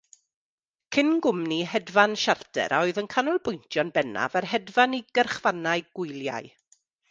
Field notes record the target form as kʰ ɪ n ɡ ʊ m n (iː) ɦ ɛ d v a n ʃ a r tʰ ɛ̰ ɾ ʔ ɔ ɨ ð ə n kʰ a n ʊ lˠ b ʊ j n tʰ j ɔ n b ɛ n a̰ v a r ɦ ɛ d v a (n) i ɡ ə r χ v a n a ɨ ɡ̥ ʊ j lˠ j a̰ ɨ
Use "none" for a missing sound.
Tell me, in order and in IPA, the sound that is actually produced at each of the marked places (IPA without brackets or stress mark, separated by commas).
i, n